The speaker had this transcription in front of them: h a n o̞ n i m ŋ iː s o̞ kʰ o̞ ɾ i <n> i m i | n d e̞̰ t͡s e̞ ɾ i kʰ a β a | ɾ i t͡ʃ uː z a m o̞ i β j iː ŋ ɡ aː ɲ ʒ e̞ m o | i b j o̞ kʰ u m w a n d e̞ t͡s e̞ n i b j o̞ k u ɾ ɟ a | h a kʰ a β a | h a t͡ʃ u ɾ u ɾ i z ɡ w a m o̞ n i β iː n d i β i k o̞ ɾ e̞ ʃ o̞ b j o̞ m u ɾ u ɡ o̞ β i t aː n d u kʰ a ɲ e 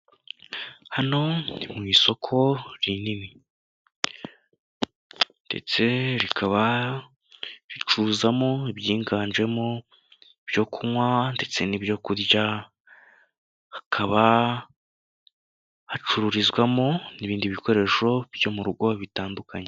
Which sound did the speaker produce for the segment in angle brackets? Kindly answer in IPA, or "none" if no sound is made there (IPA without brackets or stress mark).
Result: n